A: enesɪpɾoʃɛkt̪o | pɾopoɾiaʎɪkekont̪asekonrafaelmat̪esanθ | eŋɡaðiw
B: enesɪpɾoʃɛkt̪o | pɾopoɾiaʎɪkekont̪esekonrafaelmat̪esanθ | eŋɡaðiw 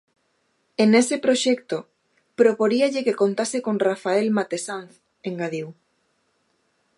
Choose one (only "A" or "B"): A